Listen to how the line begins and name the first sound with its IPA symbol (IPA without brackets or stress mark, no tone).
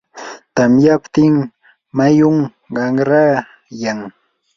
t̪